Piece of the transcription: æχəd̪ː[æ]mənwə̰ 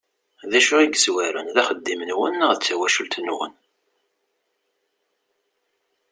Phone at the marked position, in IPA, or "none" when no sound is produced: i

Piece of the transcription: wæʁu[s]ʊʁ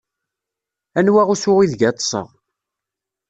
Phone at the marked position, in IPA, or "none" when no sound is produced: s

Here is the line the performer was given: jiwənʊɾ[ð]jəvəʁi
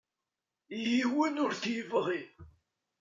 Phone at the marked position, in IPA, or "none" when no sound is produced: θ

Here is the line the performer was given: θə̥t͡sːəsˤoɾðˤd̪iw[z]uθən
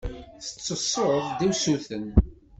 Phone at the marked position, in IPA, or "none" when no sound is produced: s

